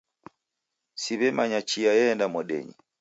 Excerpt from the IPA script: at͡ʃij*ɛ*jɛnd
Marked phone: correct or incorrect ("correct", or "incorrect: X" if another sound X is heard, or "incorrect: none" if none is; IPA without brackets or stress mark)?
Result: incorrect: a